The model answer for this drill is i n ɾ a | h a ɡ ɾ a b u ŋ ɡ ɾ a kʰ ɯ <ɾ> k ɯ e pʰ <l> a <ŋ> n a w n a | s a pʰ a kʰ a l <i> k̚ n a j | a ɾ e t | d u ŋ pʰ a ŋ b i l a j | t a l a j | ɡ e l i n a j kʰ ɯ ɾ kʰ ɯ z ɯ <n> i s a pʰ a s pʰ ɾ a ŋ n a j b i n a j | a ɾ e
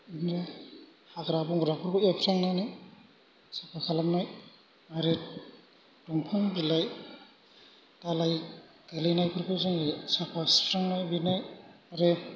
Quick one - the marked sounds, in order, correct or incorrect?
correct, incorrect: ɾ, correct, incorrect: a, incorrect: ŋ

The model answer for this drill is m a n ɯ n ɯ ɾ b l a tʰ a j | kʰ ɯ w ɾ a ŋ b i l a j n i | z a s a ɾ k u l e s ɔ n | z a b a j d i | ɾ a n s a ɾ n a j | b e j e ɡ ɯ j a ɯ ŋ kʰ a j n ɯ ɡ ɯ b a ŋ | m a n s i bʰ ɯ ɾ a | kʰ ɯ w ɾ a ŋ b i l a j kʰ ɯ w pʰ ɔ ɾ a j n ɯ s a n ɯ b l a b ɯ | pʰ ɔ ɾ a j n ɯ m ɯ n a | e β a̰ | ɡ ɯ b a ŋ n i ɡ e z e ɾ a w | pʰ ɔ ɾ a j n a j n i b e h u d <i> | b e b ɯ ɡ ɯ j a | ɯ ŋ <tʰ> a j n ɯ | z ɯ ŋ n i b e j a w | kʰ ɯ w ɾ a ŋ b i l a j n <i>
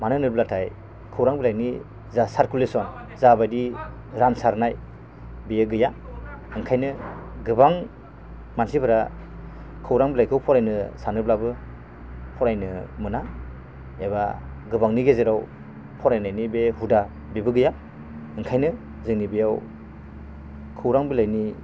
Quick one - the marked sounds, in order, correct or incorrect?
incorrect: a, incorrect: kʰ, correct

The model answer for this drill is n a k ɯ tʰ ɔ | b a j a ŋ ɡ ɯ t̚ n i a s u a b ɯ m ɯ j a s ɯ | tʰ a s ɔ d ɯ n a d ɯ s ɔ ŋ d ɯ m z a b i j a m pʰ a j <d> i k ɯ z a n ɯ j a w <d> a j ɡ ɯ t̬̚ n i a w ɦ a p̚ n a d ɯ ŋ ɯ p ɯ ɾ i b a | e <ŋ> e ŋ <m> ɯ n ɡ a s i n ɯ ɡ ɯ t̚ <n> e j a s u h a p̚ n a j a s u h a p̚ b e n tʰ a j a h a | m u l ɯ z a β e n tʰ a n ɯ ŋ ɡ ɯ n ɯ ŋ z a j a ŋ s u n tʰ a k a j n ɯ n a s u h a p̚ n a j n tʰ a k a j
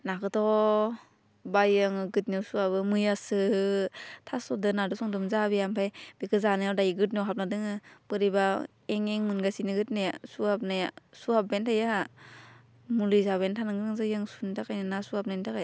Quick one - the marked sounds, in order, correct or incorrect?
incorrect: b, correct, correct, correct, correct

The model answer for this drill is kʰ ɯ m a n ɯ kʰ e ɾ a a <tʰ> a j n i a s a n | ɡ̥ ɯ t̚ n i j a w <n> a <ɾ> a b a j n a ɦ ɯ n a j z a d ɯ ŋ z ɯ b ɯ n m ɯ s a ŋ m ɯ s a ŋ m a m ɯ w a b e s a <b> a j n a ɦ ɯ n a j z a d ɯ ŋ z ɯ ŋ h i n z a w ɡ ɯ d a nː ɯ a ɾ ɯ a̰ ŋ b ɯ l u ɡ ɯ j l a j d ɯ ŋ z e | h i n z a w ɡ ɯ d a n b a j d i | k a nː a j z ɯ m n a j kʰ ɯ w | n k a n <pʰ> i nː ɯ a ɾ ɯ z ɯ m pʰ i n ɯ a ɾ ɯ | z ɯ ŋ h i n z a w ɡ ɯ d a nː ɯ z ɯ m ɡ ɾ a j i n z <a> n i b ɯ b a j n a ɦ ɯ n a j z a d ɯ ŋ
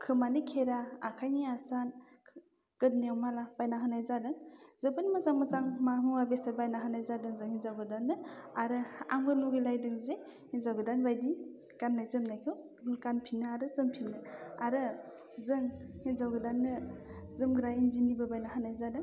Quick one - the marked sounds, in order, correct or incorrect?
incorrect: kʰ, incorrect: m, incorrect: l, correct, correct, incorrect: i

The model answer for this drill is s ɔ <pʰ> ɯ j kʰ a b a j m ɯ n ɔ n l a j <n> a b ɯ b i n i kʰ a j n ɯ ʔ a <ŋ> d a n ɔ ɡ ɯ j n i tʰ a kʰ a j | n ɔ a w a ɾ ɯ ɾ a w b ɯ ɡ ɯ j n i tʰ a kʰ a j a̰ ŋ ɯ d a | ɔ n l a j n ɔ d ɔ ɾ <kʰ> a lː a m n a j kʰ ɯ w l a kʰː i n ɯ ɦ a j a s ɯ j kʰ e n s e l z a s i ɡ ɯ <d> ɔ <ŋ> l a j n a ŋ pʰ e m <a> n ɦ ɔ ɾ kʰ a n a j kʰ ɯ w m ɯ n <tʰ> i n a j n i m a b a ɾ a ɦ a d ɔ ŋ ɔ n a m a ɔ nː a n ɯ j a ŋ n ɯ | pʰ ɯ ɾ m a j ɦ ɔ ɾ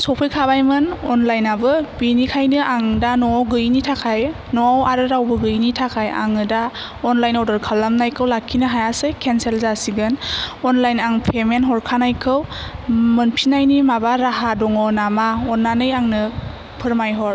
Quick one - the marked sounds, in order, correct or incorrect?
correct, correct, correct, correct, incorrect: n, incorrect: n, incorrect: e, incorrect: pʰ

